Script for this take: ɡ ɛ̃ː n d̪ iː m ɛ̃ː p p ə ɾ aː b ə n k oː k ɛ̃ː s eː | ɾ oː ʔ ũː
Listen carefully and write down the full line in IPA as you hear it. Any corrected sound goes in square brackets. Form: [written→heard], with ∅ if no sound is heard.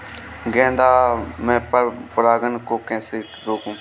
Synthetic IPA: ɡ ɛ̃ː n d̪ [iː→aː] m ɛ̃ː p p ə ɾ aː [b→ɡ] ə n k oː k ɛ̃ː s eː | ɾ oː [ʔ→k] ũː

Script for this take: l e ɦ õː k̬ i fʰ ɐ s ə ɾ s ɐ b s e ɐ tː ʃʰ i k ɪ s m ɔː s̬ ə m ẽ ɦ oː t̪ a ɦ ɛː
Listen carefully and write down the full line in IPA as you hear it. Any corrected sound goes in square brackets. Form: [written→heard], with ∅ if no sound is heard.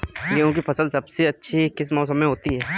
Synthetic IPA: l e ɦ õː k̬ i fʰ ɐ s ə [ɾ→l] s ɐ b s e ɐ tː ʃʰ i k ɪ s m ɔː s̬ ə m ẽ ɦ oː t̪ [a→i] ɦ ɛː

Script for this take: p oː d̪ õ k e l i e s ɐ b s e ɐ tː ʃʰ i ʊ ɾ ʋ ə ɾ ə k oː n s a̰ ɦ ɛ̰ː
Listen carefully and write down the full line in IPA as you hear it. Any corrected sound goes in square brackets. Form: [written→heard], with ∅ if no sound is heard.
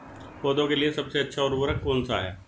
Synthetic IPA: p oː d̪ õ k e l i e s ɐ b s e ɐ tː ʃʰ [i→a] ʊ ɾ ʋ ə ɾ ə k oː n s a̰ ɦ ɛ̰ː

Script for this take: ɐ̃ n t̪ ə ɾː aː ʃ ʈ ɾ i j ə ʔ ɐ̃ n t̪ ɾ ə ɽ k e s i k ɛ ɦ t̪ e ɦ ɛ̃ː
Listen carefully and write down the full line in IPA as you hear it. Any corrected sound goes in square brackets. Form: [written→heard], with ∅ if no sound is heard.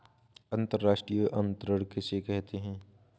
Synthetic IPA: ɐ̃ n t̪ ə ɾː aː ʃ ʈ ɾ i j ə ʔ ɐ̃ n t̪ ɾ ə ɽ k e s [i→e] k ɛ ɦ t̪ e ɦ ɛ̃ː

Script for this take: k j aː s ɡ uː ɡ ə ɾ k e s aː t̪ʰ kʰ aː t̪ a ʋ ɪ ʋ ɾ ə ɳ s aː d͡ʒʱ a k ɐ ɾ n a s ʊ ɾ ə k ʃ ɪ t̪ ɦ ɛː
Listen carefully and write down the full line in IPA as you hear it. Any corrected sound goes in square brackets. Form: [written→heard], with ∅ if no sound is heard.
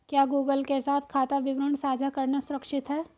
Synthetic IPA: k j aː [s→∅] ɡ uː ɡ ə [ɾ→l] k e s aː t̪ʰ kʰ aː t̪ a ʋ ɪ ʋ ɾ ə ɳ s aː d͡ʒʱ a k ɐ ɾ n a s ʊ ɾ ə k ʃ ɪ t̪ ɦ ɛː

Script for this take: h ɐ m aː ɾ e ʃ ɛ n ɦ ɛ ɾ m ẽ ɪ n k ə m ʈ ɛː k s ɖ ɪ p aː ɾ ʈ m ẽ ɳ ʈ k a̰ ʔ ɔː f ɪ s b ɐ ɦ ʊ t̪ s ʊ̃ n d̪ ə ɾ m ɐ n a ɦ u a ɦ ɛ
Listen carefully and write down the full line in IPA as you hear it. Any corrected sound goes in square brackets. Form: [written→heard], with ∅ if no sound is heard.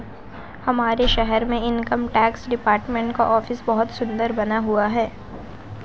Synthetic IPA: h ɐ m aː ɾ e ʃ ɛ [n→∅] ɦ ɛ ɾ m ẽ ɪ n k ə m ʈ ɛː k s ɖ ɪ p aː ɾ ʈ m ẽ ɳ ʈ k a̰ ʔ ɔː f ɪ s b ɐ ɦ ʊ t̪ s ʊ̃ n d̪ ə ɾ [m→b] ɐ n a ɦ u a ɦ [ɛ→ɛː]

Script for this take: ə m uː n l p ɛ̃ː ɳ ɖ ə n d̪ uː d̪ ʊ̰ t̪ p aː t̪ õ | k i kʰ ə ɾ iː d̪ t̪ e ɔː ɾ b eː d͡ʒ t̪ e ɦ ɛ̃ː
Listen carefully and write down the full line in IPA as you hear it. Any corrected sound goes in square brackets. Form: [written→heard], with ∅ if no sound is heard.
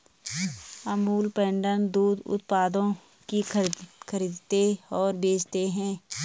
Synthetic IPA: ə m uː [n→∅] l p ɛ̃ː ɳ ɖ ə n d̪ uː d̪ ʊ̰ t̪ p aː [t̪→d̪] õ | k i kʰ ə ɾ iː d̪ t̪ e ɔː ɾ b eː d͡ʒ t̪ e ɦ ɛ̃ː

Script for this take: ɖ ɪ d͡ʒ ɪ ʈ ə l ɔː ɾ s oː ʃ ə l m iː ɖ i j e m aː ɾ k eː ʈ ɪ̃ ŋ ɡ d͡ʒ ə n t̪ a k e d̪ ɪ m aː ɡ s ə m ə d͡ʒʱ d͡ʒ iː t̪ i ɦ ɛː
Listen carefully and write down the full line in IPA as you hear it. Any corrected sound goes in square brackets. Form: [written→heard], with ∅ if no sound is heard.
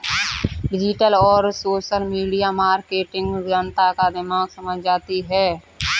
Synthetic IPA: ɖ ɪ d͡ʒ ɪ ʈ ə l ɔː ɾ s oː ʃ ə l m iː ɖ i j [e→a] m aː ɾ k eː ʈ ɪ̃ ŋ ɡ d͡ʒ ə n t̪ a k [e→a] d̪ ɪ m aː ɡ s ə m ə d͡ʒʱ d͡ʒ [iː→aː] t̪ i ɦ ɛː

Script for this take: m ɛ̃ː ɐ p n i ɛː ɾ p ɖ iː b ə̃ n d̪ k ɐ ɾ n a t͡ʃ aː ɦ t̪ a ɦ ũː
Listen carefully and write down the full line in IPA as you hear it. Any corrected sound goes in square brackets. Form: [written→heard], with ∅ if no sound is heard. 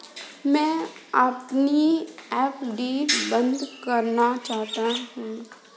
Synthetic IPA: m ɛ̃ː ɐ p n i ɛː [ɾ→∅] p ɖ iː b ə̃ n d̪ k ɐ ɾ n a t͡ʃ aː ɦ t̪ a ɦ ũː

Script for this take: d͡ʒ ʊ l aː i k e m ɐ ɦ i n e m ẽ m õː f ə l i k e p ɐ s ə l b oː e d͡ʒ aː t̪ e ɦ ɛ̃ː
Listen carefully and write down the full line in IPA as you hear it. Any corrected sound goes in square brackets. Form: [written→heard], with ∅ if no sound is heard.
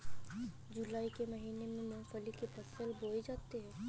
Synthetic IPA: d͡ʒ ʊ l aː i k e m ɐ ɦ [i→iː] n e m ẽ m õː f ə l i k e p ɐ s ə l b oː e d͡ʒ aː t̪ e ɦ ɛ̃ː

